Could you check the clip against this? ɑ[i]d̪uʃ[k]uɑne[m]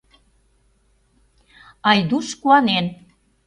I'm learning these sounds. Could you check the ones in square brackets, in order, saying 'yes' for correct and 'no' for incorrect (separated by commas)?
no, yes, no